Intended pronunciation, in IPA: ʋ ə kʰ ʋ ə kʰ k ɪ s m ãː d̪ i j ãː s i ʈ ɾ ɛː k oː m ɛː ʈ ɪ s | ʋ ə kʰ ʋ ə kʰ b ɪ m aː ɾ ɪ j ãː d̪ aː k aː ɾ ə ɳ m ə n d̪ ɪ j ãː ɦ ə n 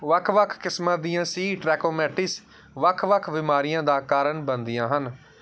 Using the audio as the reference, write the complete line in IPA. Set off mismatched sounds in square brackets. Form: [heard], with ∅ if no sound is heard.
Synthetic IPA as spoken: ʋ ə kʰ ʋ ə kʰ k ɪ s m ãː d̪ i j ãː s [iː] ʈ ɾ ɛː k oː m ɛː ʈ ɪ s | ʋ ə kʰ ʋ ə kʰ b ɪ m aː ɾ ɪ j ãː d̪ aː k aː ɾ ə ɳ [b] ə n d̪ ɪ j ãː ɦ ə n